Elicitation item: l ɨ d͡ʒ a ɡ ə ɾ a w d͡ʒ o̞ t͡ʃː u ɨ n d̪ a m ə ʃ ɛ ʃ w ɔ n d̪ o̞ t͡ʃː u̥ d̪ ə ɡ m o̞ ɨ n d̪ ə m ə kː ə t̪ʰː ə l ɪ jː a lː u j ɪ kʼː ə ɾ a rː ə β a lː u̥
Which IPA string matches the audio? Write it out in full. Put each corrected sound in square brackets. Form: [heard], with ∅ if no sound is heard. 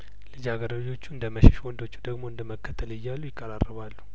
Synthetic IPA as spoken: l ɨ d͡ʒ a ɡ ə ɾ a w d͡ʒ o̞ t͡ʃː u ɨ n d̪ [ə] m ə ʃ ɛ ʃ w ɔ n d̪ o̞ t͡ʃː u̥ d̪ ə ɡ m o̞ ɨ n d̪ ə m ə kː ə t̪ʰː ə l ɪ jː a lː u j ɪ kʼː ə ɾ a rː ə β a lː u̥